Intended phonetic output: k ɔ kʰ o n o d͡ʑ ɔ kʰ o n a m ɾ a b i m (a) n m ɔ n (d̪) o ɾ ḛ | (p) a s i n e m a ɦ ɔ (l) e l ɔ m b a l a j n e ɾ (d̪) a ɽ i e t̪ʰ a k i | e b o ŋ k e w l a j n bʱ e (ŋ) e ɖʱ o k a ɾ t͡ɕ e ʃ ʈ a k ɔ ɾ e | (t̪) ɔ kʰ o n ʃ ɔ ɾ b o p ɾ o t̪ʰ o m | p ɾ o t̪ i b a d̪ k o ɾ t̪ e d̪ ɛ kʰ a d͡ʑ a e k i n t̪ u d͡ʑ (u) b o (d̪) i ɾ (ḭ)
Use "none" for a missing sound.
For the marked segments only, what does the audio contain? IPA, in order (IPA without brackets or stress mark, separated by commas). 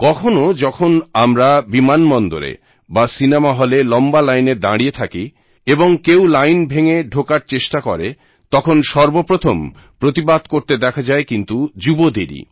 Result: a, d̪, b, l, d̪, ŋ, t̪, u, d̪, ḭ